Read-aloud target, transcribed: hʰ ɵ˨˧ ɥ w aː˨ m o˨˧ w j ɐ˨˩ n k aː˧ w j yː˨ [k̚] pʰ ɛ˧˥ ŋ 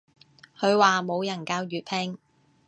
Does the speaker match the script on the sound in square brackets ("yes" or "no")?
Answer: no